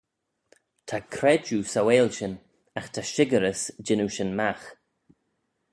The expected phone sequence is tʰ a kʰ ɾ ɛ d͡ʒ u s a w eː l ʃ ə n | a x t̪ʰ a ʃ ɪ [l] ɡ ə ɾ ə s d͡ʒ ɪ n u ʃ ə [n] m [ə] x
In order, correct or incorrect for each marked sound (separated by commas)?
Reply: incorrect, correct, incorrect